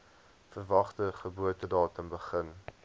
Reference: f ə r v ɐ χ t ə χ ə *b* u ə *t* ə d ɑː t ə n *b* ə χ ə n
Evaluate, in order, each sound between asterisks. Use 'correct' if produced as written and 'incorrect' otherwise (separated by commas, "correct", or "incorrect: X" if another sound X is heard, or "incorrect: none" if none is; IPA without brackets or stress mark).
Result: correct, correct, correct